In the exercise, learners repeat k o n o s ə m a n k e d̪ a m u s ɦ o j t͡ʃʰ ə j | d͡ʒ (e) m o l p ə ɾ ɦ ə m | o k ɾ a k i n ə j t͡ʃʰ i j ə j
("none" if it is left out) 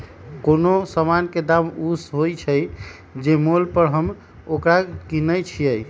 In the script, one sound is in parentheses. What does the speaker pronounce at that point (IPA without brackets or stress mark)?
e